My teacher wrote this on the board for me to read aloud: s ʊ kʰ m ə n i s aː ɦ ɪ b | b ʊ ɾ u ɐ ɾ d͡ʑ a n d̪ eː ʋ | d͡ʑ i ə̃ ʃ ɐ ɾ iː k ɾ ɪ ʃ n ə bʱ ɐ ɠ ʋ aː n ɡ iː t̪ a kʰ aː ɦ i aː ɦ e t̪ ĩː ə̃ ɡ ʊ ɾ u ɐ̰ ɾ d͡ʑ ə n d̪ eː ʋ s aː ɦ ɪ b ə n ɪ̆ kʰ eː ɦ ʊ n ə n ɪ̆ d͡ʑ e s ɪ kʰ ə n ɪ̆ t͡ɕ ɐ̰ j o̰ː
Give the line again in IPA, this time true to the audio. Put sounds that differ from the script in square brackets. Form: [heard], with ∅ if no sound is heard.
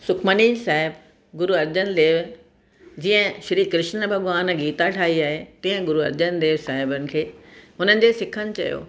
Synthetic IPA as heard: s ʊ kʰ m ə n i s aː ɦ ɪ b | [ɡ] ʊ ɾ u ɐ ɾ d͡ʑ [ə] n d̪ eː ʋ | d͡ʑ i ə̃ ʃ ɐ ɾ iː k ɾ ɪ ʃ n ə bʱ ɐ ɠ ʋ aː n ɡ iː t̪ a [ʈʰ] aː ɦ i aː ɦ e t̪ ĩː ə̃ ɡ ʊ ɾ u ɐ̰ ɾ d͡ʑ ə n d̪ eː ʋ s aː ɦ ɪ b ə n ɪ̆ kʰ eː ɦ ʊ n ə n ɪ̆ d͡ʑ e s ɪ kʰ ə n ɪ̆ t͡ɕ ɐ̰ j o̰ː